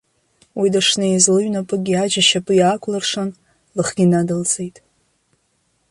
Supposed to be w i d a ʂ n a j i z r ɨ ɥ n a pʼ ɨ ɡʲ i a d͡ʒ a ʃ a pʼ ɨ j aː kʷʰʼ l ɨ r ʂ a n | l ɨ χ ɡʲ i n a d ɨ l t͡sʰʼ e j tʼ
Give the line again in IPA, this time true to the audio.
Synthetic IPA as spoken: w i d a ʂ n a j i z l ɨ ɥ n a pʼ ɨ ɡʲ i a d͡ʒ a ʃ a pʼ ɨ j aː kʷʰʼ l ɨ r ʂ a n | l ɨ χ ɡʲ i n a d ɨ l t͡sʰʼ e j tʼ